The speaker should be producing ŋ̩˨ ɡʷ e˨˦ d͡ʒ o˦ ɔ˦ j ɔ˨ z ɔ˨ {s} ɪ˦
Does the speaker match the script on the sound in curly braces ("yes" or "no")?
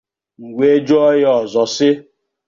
yes